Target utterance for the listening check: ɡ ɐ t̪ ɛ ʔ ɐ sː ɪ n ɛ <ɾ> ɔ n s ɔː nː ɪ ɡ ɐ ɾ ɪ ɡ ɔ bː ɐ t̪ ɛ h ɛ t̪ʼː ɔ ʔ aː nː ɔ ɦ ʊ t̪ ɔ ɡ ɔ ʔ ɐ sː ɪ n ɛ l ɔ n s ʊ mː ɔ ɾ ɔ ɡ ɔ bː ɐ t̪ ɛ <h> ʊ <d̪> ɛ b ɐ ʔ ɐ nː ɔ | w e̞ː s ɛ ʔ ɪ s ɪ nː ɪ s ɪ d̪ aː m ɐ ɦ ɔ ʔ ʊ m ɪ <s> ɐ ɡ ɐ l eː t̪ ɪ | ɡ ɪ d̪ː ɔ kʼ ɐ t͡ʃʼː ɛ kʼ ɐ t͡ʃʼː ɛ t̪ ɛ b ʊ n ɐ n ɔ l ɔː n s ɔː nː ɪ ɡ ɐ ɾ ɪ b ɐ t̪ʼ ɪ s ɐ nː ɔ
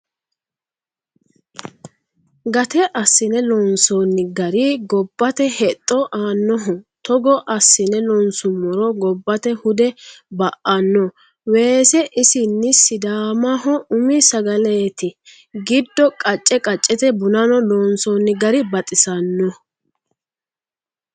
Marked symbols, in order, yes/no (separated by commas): no, yes, yes, yes